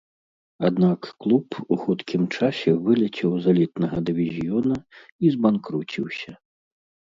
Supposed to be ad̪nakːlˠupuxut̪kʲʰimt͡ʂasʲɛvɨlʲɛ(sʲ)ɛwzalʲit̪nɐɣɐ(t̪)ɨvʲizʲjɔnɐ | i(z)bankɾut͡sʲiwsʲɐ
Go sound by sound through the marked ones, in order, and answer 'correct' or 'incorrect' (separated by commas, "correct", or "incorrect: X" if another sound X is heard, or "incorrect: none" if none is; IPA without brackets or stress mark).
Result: incorrect: t͡sʲ, incorrect: d̪, correct